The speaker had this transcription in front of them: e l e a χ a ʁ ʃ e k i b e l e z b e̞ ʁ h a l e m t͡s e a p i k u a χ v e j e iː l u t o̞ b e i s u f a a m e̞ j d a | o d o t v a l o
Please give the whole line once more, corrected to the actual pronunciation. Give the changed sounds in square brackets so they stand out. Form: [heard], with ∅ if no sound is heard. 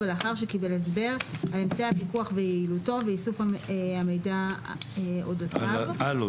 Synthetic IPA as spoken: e l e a χ a ʁ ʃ e k i b e l e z b e̞ ʁ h a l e m t͡s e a p i k u a χ v e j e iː l u t o̞ [v] e i s u f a a m e̞ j d a | o d o t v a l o